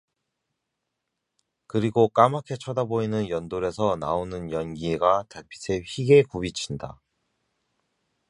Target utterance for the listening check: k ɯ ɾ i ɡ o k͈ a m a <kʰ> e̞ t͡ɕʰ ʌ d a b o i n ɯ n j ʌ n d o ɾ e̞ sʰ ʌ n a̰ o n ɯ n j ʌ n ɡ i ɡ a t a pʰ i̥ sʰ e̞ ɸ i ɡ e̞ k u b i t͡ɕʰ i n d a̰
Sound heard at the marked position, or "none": kʰ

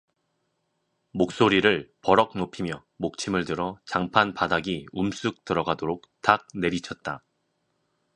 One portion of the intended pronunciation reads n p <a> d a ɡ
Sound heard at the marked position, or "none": a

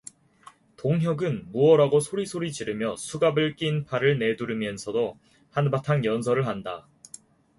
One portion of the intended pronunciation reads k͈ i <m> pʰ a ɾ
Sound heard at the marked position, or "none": n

